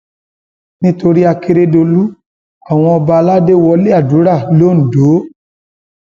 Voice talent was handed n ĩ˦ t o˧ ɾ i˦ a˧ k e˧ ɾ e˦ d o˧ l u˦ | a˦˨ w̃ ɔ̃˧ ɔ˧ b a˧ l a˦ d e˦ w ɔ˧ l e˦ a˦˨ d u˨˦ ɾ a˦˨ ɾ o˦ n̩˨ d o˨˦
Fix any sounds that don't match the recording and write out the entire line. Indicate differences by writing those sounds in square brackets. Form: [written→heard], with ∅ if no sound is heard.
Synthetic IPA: n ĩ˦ t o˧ ɾ i˦ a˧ k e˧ ɾ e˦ d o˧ l u˦ | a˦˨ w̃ ɔ̃˧ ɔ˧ b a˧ l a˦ d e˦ w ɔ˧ l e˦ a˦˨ d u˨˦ ɾ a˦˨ [ɾ→l] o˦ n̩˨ d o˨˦